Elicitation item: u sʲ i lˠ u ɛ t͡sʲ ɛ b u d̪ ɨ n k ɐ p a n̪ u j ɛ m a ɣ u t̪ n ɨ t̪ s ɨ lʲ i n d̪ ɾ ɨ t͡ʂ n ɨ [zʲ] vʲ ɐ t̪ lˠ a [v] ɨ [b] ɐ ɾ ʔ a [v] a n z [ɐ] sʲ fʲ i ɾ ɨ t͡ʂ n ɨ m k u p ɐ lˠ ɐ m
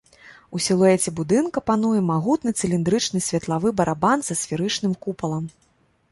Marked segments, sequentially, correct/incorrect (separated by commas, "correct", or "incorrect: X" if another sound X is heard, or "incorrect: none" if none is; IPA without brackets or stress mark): incorrect: sʲ, correct, correct, incorrect: b, correct